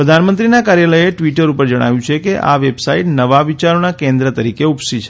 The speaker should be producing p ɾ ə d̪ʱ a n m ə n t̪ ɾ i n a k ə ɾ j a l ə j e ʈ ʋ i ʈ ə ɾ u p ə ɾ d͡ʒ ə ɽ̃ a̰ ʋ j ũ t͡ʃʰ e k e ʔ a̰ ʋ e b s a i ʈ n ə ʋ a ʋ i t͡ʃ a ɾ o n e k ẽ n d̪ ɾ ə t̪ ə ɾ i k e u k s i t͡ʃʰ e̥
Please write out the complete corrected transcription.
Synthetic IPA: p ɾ ə d̪ʱ a n m ə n t̪ ɾ i n a k a ɾ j a l ə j e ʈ ʋ i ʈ ə ɾ u p ə ɾ d͡ʒ ə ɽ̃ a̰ ʋ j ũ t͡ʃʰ e k e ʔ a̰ ʋ e b s a i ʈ n ə ʋ a ʋ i t͡ʃ a ɾ o n a k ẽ n d̪ ɾ ə t̪ ə ɾ i k e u p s i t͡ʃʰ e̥